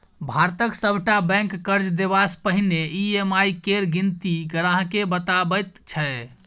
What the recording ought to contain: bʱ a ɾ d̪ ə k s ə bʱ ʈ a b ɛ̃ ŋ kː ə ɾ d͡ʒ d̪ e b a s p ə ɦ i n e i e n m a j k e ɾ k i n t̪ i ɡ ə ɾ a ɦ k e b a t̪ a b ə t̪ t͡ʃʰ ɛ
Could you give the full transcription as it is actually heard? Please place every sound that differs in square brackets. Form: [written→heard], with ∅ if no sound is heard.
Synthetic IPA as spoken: bʱ a ɾ [d̪→t̪] ə k s ə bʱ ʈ a b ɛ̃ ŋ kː ə ɾ d͡ʒ d̪ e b a s p ə ɦ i n e i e [n→∅] m a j k e ɾ [k→ɡ] i n t̪ i ɡ ə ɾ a ɦ k e b [a→ə] t̪ a b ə t̪ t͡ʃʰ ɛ